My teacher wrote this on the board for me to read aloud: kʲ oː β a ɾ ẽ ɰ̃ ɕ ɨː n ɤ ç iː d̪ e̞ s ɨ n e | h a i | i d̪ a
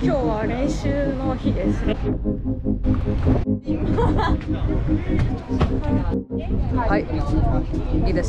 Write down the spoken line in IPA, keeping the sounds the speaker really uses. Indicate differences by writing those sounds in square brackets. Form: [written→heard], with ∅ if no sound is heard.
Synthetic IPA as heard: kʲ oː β a ɾ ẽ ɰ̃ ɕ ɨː n [ɤ→o] ç [iː→i] d̪ e̞ s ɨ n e | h a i | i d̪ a